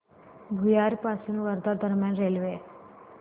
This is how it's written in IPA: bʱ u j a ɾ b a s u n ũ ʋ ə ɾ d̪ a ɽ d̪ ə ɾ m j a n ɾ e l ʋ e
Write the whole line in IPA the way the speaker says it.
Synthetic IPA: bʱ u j a ɾ p a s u n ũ ʋ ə ɾ d̪ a ɾ d̪ ə ɾ m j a n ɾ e l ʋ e